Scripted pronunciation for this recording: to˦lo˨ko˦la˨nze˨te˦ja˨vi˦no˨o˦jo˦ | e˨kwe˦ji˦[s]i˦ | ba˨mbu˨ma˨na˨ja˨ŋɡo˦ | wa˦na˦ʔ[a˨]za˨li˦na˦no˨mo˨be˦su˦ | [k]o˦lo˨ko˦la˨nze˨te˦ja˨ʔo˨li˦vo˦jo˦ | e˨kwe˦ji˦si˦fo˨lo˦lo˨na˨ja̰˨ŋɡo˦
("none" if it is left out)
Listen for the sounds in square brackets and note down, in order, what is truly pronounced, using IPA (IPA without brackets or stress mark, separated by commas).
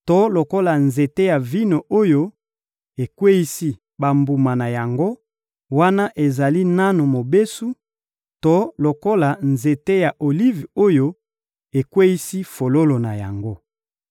s, e˨, t